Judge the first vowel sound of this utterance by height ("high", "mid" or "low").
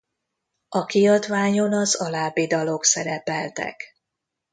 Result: low